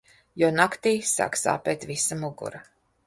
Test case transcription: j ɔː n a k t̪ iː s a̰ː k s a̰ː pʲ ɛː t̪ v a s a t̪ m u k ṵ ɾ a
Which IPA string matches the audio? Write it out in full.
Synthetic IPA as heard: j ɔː n a k t̪ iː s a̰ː k s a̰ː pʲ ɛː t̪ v i s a m u ɡ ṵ ɾ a